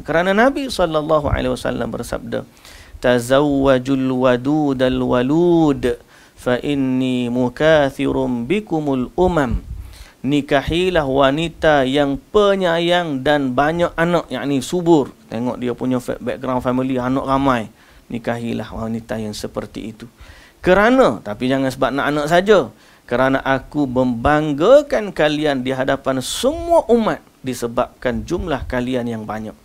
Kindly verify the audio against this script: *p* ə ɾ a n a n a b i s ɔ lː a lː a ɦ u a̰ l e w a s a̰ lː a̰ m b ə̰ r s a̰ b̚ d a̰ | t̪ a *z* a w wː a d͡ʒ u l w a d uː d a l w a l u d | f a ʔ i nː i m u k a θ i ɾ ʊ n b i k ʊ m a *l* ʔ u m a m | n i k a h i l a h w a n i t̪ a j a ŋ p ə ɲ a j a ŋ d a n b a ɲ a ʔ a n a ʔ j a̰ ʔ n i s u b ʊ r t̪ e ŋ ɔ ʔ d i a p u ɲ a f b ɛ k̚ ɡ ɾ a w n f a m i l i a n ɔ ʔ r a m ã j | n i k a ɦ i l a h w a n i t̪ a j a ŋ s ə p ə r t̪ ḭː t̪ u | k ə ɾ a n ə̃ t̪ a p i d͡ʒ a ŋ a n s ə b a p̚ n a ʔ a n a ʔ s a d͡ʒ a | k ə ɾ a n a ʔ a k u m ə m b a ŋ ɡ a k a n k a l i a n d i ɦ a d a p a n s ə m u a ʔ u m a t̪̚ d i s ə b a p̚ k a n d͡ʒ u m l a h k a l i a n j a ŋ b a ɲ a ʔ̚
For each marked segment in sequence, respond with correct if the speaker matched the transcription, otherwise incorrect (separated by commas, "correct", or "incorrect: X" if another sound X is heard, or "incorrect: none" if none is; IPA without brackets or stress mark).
incorrect: k, correct, correct